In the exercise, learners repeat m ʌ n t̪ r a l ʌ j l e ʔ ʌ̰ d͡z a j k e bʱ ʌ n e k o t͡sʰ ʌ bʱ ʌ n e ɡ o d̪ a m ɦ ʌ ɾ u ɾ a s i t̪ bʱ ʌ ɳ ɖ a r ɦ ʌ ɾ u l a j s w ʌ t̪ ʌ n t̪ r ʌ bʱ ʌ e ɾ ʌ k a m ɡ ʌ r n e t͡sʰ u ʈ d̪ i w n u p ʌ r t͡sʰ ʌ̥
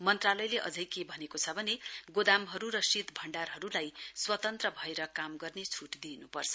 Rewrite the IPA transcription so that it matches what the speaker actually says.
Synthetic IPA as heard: m ʌ n t̪ r a l ʌ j l e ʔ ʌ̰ d͡z ʌ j k e bʱ ʌ n e k o t͡sʰ ʌ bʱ ʌ n e ɡ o d̪ a m ɦ ʌ ɾ u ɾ ʌ s i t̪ bʱ ʌ ɳ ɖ a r ɦ ʌ ɾ u l a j s w ʌ t̪ ʌ n t̪ r ʌ bʱ ʌ e ɾ ʌ k a m ɡ ʌ r n e t͡sʰ u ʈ d̪ i n u p ʌ r t͡sʰ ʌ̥